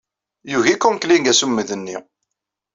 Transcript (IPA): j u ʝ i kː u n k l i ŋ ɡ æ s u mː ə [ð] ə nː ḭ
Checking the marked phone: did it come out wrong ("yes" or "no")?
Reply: no